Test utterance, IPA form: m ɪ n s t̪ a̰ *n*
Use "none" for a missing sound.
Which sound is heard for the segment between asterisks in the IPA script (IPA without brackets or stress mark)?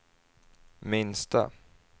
none